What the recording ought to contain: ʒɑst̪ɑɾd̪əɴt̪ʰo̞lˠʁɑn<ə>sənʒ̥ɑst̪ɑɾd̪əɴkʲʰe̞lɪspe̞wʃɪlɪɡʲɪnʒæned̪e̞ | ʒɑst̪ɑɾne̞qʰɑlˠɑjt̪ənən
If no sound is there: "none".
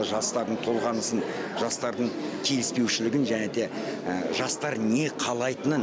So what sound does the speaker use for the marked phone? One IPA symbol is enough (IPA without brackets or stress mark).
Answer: ə